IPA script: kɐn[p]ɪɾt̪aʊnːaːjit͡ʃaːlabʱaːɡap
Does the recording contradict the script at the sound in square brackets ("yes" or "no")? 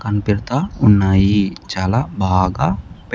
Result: no